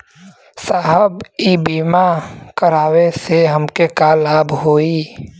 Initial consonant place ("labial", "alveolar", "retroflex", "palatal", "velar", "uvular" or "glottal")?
alveolar